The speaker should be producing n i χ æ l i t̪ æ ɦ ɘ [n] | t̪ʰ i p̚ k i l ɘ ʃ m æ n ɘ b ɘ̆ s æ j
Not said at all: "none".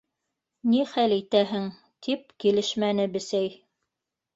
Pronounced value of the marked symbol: ŋ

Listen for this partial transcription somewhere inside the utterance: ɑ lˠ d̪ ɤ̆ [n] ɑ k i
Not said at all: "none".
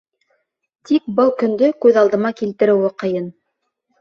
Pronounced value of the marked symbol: m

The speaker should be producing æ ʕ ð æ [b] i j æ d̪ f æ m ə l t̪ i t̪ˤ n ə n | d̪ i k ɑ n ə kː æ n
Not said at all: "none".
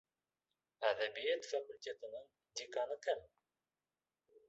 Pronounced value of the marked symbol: b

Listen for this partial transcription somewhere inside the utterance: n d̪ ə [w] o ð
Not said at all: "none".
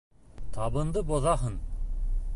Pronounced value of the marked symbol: b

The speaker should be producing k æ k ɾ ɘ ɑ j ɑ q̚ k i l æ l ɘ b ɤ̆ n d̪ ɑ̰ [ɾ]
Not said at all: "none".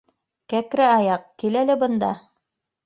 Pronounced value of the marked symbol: none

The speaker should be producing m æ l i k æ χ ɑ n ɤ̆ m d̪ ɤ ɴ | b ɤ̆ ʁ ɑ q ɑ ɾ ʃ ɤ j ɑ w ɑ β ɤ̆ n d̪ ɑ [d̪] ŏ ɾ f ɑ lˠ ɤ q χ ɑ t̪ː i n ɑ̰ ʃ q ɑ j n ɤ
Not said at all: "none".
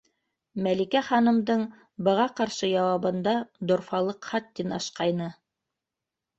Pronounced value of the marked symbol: d̪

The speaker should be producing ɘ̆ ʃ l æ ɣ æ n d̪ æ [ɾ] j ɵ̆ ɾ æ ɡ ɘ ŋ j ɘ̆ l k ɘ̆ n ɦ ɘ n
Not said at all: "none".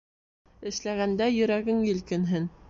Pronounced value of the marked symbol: none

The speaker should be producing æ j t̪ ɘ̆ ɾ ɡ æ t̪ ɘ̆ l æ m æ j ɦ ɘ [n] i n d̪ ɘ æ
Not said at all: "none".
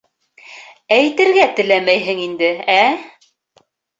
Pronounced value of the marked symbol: ŋ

